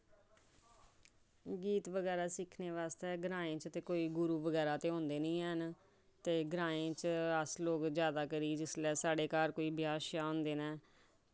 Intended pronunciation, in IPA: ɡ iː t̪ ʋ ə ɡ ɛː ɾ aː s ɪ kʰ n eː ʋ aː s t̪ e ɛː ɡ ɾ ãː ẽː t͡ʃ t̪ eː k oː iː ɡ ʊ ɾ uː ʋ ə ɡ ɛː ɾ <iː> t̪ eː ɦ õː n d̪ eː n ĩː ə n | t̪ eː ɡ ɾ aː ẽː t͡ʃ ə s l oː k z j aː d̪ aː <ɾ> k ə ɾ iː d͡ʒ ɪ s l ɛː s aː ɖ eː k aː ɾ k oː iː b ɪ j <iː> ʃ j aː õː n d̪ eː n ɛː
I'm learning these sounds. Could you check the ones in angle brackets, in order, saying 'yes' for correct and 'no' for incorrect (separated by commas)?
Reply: no, no, no